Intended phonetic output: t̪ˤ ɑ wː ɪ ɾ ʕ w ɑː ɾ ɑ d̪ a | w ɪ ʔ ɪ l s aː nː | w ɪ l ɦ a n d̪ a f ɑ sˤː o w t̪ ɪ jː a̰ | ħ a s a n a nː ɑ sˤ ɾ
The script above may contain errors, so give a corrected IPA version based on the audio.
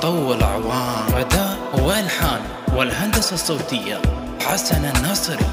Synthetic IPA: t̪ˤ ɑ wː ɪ l ʕ w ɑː ɾ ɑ d̪ a | w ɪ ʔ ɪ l ħ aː n | w ɪ l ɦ a n d̪ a s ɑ sˤː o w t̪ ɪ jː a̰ | ħ a s a n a nː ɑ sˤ ɾ